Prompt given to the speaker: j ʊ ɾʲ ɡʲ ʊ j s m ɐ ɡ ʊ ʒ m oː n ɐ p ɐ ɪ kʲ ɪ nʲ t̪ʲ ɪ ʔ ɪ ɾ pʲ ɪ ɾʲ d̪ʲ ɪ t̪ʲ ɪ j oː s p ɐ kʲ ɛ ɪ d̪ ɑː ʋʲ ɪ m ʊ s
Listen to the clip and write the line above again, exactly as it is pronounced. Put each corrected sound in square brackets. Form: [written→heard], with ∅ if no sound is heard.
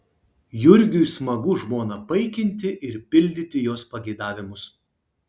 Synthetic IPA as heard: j ʊ ɾʲ ɡʲ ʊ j s m ɐ ɡ ʊ ʒ m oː n ɐ p ɐ ɪ kʲ ɪ nʲ t̪ʲ ɪ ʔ ɪ ɾ pʲ ɪ [ɾʲ→lʲ] d̪ʲ ɪ t̪ʲ ɪ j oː s p ɐ [kʲ→ɡʲ] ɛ ɪ d̪ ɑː ʋʲ ɪ m ʊ s

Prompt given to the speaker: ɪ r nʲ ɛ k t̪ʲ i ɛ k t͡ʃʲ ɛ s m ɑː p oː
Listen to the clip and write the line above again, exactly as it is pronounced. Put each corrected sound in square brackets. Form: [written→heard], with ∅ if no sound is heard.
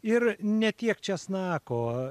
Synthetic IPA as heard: ɪ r nʲ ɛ [k→∅] t̪ʲ i ɛ k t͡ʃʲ ɛ s [m→n] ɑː [p→k] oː

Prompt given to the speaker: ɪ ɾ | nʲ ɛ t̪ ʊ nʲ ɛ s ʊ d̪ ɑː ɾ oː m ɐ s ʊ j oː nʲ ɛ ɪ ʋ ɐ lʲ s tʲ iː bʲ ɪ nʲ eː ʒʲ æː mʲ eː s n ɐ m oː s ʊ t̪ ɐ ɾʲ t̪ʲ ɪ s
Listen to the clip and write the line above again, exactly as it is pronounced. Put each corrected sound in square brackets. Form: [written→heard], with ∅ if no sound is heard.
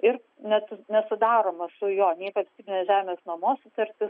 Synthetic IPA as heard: ɪ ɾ | nʲ ɛ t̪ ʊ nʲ ɛ s ʊ d̪ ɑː ɾ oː m ɐ s ʊ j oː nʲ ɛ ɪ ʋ ɐ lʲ s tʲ iː bʲ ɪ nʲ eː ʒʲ æː mʲ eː s n ɐ m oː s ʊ t̪ ɐ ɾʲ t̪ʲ ɪ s

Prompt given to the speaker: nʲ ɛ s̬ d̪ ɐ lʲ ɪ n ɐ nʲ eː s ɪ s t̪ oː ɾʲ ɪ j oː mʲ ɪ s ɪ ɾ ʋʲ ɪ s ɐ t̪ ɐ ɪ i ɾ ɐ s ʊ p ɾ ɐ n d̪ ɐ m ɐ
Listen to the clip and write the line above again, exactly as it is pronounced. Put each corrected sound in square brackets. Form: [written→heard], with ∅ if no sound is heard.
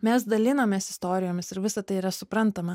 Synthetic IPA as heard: [nʲ→mʲ] ɛ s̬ d̪ ɐ lʲ ɪ n ɐ [nʲ→mʲ] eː s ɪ s t̪ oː ɾʲ ɪ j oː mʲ ɪ s ɪ ɾ ʋʲ ɪ s ɐ t̪ ɐ ɪ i ɾ ɐ s ʊ p ɾ ɐ n [d̪→t̪] ɐ m ɐ

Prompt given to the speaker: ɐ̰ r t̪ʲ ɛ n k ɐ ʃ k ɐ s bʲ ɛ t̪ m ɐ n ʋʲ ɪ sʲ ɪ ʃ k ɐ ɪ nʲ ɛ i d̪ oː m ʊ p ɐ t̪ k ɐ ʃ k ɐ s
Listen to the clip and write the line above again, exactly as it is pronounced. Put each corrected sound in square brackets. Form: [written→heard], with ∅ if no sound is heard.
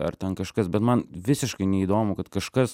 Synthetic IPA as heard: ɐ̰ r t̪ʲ ɛ n k ɐ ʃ k ɐ s bʲ ɛ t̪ m ɐ n ʋʲ ɪ sʲ ɪ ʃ k ɐ ɪ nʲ ɛ i d̪ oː m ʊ [p→k] ɐ t̪ k ɐ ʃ k ɐ s

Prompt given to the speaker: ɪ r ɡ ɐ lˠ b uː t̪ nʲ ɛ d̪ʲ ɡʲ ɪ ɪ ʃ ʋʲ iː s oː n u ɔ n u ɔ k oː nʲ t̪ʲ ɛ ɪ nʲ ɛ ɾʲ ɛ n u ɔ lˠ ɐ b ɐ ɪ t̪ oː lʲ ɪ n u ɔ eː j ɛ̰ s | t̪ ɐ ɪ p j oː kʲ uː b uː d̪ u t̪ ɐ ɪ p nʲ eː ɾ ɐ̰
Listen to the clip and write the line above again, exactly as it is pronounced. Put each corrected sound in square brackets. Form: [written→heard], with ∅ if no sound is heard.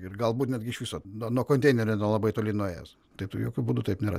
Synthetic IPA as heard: ɪ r ɡ ɐ lˠ b uː t̪ nʲ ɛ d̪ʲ ɡʲ ɪ ɪ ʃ ʋʲ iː s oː n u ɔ n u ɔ k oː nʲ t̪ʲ ɛ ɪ nʲ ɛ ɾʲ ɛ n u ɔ lˠ ɐ b ɐ ɪ t̪ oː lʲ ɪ n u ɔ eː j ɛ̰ s | t̪ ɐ ɪ p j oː kʲ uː b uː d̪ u t̪ ɐ ɪ p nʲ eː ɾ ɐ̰

